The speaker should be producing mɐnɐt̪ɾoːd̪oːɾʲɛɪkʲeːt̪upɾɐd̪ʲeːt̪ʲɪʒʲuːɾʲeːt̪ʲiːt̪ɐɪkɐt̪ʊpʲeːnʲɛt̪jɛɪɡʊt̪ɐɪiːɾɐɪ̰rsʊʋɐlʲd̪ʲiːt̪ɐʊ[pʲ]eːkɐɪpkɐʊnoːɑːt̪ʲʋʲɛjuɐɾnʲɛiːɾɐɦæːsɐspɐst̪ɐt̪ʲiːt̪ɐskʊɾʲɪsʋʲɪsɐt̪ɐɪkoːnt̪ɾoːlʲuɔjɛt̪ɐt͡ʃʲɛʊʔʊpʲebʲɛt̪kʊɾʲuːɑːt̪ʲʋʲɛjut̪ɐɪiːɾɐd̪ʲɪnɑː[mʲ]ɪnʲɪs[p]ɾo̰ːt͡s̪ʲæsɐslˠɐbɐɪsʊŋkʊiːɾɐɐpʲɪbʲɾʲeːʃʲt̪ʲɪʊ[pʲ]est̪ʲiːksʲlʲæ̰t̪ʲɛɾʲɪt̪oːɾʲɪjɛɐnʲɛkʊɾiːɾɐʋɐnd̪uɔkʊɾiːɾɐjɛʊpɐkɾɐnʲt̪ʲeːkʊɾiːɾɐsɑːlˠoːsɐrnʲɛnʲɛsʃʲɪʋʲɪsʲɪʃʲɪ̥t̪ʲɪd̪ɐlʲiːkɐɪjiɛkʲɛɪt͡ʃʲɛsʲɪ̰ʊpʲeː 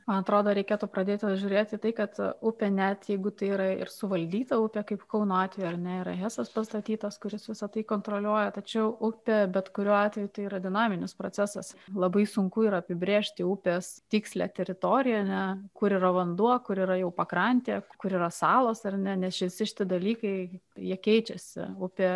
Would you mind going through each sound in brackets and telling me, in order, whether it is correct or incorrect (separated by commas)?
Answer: correct, correct, correct, correct